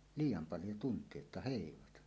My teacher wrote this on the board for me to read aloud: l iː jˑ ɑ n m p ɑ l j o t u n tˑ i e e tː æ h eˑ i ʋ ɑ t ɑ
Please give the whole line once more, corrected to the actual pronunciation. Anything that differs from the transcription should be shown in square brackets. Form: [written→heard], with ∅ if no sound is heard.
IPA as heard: l iː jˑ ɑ [n→∅] m p ɑ l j o t u n tˑ i e e tː æ h eˑ i ʋ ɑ t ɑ